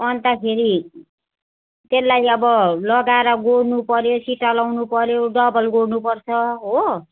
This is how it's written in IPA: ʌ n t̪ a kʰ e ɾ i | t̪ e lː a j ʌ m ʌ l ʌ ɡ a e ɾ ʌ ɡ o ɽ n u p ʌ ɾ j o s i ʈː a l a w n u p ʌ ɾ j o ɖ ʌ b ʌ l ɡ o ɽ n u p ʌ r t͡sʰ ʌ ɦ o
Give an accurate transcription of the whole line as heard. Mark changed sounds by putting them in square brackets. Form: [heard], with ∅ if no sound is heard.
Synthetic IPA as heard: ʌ n t̪ a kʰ e ɾ i | t̪ e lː a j ʌ [b] ʌ l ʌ ɡ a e ɾ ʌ ɡ o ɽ n u p ʌ ɾ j o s i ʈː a l a w n u p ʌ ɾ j o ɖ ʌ b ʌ l ɡ o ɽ n u p ʌ r t͡sʰ ʌ ɦ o

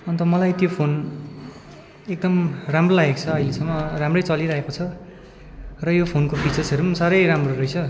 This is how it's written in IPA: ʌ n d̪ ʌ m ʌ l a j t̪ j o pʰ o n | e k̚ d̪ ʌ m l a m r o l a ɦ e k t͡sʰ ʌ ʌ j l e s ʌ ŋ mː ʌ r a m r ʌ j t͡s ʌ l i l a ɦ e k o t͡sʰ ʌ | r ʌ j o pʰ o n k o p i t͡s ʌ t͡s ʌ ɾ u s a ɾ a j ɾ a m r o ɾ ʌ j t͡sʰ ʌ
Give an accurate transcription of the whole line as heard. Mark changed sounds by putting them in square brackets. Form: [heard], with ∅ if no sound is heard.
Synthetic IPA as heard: ʌ n [t̪] ʌ m ʌ l a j t̪ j o pʰ o n | e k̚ d̪ ʌ m [r] a m r o l a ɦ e k t͡sʰ ʌ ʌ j l e s ʌ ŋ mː ʌ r a m r ʌ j t͡s ʌ l i [ɾ] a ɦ e k o t͡sʰ ʌ | r ʌ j o pʰ o n k o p i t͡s ʌ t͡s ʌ ɾ u s a ɾ [ʌ] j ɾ a m r o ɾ ʌ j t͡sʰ ʌ

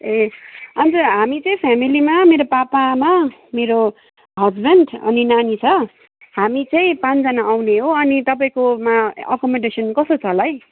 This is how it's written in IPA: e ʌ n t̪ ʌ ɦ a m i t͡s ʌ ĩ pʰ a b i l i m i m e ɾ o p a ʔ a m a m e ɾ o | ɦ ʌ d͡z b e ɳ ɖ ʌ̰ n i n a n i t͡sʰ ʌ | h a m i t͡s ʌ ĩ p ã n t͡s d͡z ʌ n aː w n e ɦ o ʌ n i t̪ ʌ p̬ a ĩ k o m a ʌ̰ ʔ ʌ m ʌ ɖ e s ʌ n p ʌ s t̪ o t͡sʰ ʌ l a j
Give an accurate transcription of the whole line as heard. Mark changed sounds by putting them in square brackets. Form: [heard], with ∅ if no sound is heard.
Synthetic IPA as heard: e ʌ n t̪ ʌ ɦ a m i t͡s ʌ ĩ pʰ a [m] i l i m [a] m e ɾ o p a [p] a m a m e ɾ o | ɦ ʌ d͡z b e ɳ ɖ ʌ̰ n i n a n i t͡sʰ ʌ | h a m i t͡s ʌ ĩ p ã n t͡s d͡z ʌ n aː w n e ɦ o ʌ n i t̪ ʌ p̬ a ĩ k o m a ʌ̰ [k] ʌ m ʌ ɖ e s ʌ n [k] ʌ s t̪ o t͡sʰ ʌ l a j

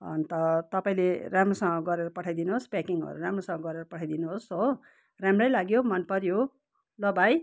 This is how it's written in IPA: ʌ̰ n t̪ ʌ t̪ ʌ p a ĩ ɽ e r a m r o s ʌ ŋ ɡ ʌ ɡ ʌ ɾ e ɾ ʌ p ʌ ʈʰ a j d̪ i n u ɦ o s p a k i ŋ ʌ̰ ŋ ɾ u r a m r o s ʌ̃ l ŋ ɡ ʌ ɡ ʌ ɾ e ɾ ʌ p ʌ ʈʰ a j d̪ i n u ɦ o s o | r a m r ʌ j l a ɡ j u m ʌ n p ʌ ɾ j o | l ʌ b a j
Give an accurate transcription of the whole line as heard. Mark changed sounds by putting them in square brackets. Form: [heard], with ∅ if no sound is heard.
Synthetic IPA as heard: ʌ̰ n t̪ ʌ t̪ ʌ p a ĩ [l] e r a m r o s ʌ ŋ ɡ ʌ ɡ ʌ ɾ e ɾ ʌ p ʌ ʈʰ a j d̪ i n u ɦ o s p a k i ŋ ʌ̰ [∅] ɾ u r a m r o s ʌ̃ [∅] ŋ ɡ ʌ ɡ ʌ ɾ e ɾ ʌ p ʌ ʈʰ a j d̪ i n u ɦ o s o | r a m r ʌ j l a ɡ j [o] m ʌ n p ʌ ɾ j o | l ʌ b a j

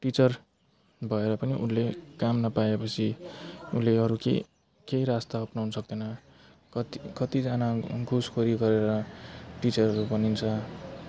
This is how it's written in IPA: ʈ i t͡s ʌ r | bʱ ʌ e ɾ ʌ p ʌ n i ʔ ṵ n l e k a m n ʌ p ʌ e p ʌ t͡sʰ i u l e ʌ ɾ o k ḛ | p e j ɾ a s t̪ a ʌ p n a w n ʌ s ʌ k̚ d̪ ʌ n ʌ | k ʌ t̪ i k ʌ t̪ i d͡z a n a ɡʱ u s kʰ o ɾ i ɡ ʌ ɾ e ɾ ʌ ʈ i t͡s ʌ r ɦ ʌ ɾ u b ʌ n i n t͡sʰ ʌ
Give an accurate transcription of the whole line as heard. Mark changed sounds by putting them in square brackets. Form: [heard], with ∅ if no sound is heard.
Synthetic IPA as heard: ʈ i t͡s ʌ r | bʱ ʌ e ɾ ʌ p ʌ n i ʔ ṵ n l e k a m n ʌ p [a] e p ʌ t͡sʰ i u l e ʌ ɾ [u] k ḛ | [k] e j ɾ a s t̪ a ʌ p n a w n ʌ s ʌ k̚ d̪ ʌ n ʌ | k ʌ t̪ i k ʌ t̪ i d͡z a n a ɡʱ u s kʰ o ɾ i ɡ ʌ ɾ e ɾ ʌ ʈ i t͡s ʌ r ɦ ʌ ɾ u b ʌ n i n t͡sʰ ʌ

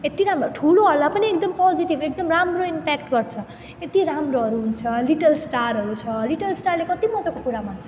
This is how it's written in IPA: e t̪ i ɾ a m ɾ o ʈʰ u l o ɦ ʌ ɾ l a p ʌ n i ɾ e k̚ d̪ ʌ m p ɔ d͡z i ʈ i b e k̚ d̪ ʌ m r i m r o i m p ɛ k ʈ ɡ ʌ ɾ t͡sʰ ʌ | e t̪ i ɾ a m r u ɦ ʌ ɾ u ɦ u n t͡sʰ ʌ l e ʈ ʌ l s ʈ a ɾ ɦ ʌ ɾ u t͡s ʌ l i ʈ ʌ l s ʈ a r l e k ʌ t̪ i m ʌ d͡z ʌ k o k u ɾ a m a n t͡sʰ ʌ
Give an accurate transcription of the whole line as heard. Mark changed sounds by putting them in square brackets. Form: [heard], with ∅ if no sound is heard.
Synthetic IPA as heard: e t̪ i ɾ a m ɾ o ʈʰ u l o ɦ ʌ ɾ l a p ʌ n i [∅] e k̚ d̪ ʌ m p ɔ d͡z i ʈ i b e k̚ d̪ ʌ m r [a] m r o i m p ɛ k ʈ ɡ ʌ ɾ t͡sʰ ʌ | e t̪ i ɾ a m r [o] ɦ ʌ ɾ u ɦ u n t͡sʰ ʌ l [i] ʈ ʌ l s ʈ a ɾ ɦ ʌ ɾ u [t͡sʰ] ʌ l i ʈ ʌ l s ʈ a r l e k ʌ t̪ i m ʌ d͡z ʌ k o k u ɾ a m a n t͡sʰ ʌ

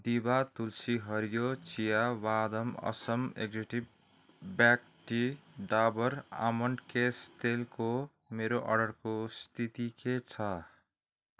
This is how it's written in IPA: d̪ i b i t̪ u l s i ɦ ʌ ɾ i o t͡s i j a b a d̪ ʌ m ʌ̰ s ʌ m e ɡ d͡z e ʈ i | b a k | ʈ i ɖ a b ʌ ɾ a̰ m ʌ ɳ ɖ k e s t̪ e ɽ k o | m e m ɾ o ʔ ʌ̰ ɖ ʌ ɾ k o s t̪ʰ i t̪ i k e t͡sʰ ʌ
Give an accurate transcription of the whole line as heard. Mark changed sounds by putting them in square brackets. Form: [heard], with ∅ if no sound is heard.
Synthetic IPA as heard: d̪ i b [a] t̪ u l s i ɦ ʌ ɾ [j] o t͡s i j a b a d̪ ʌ m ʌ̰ s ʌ m e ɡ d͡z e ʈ i | b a k | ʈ i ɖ a b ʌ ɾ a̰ m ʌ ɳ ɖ k e s t̪ e [l] k o | m e [∅] ɾ o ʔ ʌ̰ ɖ ʌ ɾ k o s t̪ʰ i t̪ i k e t͡sʰ ʌ

